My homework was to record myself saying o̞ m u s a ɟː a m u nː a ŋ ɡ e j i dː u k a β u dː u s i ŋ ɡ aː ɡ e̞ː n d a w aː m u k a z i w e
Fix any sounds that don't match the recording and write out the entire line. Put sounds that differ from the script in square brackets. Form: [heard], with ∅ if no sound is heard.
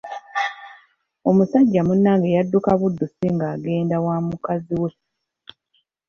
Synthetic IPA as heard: o̞ m u s a ɟː a m u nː a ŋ ɡ e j [a] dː u k a β u dː u s i ŋ ɡ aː ɡ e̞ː n d a w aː m u k a z i w e